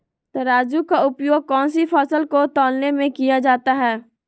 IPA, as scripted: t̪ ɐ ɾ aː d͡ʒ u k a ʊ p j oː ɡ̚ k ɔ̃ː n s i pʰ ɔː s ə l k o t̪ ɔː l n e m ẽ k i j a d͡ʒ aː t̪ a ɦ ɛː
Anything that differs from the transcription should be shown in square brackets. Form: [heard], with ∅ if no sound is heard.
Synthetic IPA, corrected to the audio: t̪ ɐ ɾ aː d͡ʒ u k a ʊ p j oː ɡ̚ k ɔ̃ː n s i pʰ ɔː s ə l k o t̪ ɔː l n e m ẽ k i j a d͡ʒ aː t̪ a ɦ ɛː